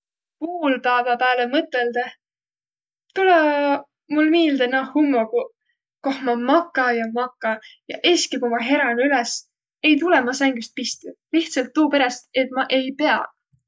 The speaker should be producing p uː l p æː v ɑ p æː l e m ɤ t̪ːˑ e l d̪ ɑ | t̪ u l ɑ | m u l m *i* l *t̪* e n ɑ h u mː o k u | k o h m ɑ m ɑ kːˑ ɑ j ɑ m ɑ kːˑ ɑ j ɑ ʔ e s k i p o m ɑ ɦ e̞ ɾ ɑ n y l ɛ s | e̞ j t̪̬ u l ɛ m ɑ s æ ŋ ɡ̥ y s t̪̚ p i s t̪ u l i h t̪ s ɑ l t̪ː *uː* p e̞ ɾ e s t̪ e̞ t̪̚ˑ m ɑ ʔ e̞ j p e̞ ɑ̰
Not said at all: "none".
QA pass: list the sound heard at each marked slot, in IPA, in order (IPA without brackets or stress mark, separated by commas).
iː, d̪, uː